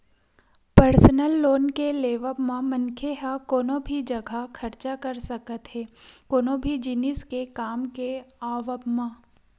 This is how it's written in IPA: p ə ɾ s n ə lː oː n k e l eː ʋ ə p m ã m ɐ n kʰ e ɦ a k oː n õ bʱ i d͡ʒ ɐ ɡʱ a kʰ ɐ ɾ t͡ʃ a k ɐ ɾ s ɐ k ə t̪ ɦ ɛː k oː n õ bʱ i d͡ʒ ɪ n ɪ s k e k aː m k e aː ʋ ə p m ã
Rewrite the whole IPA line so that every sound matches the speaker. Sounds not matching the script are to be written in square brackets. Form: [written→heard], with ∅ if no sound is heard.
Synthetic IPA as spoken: p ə ɾ s n ə lː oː n k e l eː ʋ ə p m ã m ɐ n kʰ e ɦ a k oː n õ bʱ i d͡ʒ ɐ ɡʱ a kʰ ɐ ɾ t͡ʃ a k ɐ ɾ s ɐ k ə t̪ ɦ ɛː k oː n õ bʱ i d͡ʒ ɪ n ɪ s k e k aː m k e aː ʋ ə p m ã